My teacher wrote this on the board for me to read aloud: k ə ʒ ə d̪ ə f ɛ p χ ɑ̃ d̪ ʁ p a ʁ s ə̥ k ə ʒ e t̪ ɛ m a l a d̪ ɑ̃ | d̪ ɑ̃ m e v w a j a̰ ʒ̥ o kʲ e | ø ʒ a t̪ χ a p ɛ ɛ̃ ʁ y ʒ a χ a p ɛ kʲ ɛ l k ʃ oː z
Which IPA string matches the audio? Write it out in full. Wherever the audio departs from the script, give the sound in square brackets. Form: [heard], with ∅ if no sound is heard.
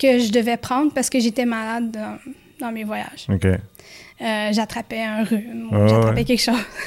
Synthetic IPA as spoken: k ə ʒ ə d̪ ə [v] ɛ p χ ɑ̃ d̪ ʁ p a ʁ s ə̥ k ə ʒ e t̪ ɛ m a l a d̪ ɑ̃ | d̪ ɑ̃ m e v w a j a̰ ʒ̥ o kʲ e | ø ʒ a t̪ χ a p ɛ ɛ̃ ʁ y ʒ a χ a p ɛ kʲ ɛ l k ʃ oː z